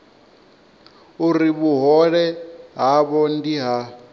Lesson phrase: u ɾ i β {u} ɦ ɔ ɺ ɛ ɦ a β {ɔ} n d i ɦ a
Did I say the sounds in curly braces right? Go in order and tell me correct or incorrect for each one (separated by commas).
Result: correct, correct